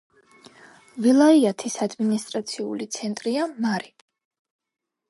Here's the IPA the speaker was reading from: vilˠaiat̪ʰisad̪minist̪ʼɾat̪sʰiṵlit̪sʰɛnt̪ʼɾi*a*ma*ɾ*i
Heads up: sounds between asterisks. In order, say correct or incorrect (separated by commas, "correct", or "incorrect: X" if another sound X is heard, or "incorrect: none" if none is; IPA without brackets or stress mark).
correct, correct